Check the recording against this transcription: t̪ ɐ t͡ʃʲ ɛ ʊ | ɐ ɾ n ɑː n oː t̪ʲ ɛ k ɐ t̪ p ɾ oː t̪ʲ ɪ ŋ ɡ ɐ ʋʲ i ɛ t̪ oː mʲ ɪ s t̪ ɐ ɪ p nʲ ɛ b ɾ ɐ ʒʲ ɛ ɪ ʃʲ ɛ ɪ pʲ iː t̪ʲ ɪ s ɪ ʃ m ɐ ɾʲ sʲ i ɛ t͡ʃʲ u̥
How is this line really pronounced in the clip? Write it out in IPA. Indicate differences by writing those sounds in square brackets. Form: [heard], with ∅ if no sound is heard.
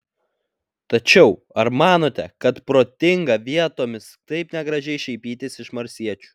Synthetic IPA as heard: t̪ ɐ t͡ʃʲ ɛ ʊ | ɐ ɾ [m] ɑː n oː t̪ʲ ɛ k ɐ t̪ p ɾ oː t̪ʲ ɪ ŋ ɡ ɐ ʋʲ i ɛ t̪ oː mʲ ɪ s t̪ ɐ ɪ p nʲ ɛ [ɡ] ɾ ɐ ʒʲ ɛ ɪ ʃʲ ɛ ɪ pʲ iː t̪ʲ ɪ s ɪ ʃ m ɐ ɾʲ sʲ i ɛ t͡ʃʲ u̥